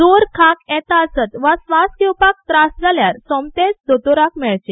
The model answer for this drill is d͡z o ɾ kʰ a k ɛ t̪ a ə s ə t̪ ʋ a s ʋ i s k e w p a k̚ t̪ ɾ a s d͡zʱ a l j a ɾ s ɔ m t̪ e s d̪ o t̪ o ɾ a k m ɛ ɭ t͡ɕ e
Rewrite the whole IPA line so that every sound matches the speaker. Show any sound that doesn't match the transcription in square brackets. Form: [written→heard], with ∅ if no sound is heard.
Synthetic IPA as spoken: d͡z o ɾ kʰ a k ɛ t̪ a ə s ə t̪ ʋ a s ʋ [i→a] s k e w p a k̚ t̪ ɾ a s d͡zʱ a l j a ɾ s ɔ m t̪ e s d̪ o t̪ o ɾ a k m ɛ ɭ t͡ɕ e